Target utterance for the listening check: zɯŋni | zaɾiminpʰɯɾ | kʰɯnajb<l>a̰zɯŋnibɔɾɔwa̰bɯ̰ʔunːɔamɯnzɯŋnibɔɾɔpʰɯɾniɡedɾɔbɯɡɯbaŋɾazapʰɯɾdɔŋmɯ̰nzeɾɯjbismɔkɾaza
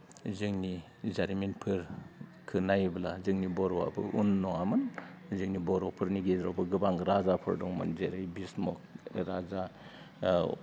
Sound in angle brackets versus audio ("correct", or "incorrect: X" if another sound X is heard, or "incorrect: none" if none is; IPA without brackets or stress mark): correct